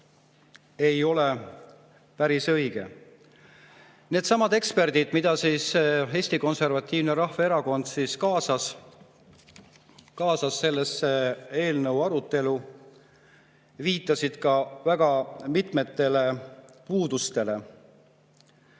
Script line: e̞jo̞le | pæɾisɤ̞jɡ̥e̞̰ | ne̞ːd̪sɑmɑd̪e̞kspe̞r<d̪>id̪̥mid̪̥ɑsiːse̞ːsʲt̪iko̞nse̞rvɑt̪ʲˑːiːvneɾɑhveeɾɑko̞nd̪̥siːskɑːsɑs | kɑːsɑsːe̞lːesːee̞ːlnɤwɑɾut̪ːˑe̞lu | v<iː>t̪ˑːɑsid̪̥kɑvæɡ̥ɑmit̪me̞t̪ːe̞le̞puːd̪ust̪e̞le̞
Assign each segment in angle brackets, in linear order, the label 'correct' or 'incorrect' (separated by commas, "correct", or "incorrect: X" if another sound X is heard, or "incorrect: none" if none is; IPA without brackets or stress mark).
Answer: correct, correct